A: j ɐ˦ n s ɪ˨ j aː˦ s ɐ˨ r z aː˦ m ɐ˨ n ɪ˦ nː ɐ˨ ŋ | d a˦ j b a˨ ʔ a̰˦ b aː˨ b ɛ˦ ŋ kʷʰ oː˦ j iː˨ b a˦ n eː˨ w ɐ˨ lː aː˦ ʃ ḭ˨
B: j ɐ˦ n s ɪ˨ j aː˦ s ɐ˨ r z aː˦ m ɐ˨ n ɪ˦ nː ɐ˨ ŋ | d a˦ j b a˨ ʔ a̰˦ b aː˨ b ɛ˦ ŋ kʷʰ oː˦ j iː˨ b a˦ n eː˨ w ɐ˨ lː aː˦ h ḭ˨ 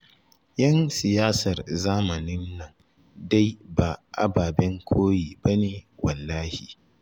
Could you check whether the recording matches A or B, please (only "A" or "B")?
B